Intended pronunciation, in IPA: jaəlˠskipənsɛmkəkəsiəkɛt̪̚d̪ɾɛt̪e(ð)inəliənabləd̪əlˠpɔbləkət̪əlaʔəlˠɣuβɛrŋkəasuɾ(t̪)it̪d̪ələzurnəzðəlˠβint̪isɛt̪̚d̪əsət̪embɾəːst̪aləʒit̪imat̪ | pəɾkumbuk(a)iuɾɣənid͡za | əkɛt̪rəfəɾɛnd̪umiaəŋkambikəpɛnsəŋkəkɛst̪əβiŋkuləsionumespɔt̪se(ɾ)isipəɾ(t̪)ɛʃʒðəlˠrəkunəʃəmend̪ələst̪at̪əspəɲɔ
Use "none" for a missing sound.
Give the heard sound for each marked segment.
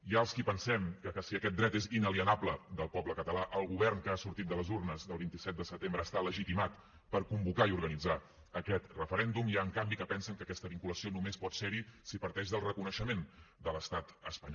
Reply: z, t̪, a, ɾ, t̪

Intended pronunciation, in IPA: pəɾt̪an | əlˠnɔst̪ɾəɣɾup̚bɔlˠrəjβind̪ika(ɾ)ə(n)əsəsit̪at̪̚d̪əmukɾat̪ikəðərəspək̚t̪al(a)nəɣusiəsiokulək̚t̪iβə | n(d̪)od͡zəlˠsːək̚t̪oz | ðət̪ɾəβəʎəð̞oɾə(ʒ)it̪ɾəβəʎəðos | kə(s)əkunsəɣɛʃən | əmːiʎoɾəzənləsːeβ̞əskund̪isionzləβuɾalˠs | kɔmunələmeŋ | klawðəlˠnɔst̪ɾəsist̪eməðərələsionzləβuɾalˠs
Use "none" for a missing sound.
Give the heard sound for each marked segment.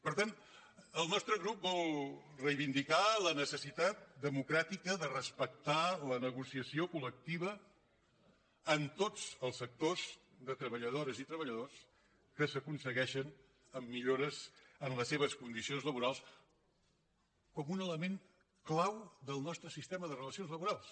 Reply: l, n, ə, t̪, z, s

